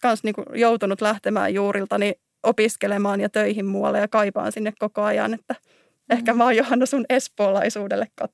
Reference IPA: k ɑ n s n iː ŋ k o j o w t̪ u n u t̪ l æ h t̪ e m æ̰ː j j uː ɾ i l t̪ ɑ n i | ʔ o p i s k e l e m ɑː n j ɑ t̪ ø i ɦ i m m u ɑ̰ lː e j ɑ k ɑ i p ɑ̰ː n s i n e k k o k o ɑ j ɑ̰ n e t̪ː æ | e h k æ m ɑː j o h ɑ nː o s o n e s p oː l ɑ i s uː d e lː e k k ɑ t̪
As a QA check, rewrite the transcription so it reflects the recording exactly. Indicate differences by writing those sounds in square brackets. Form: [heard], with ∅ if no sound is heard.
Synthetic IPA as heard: k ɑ n s n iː ŋ k [u] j o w t̪ u n u t̪ l æ h t̪ e m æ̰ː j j uː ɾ i l t̪ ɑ n i | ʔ o p i s k e l e m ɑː n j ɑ t̪ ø i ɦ i m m u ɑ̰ lː e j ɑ k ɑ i p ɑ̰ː n s i [nː] e k k o k o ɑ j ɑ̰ n e t̪ː æ | e h k æ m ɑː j o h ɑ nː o s [u] n e s p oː l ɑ i s uː d e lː e k k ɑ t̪